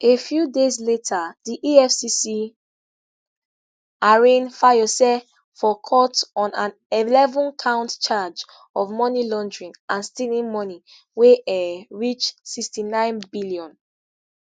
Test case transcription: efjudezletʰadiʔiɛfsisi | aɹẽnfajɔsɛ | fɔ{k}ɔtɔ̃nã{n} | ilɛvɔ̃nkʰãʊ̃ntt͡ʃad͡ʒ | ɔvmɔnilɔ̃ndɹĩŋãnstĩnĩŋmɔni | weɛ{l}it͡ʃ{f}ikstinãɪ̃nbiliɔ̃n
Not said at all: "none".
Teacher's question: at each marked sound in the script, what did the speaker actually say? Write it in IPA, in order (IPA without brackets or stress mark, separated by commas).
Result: kʰ, n, ɹ, s